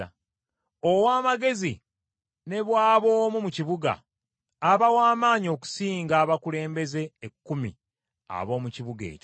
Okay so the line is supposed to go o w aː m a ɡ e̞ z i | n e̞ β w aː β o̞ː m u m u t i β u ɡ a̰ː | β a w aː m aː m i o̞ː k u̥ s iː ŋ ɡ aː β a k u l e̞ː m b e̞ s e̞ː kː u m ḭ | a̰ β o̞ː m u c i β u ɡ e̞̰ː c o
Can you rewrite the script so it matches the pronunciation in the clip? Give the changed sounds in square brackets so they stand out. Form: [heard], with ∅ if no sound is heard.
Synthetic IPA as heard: o w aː m a ɡ e̞ z i | n e̞ β w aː β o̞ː m u m u [c] i β u ɡ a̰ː | β a w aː m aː [ɲ] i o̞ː k u̥ s iː ŋ ɡ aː β a k u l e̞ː m b e̞ [z] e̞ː kː u m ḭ | a̰ β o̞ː m u c i β u ɡ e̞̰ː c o